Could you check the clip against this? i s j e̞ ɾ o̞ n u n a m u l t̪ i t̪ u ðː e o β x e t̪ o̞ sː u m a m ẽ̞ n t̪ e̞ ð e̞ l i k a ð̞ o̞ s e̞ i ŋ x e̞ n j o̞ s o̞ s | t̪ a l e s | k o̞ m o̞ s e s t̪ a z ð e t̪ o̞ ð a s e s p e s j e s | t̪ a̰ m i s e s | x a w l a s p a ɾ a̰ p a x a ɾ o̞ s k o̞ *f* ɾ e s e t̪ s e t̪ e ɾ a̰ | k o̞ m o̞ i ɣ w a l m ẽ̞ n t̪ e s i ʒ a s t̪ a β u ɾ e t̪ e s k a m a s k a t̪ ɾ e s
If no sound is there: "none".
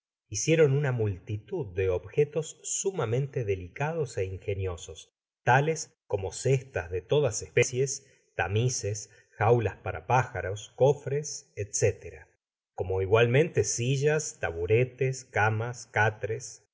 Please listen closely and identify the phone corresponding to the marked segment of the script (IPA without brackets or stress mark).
f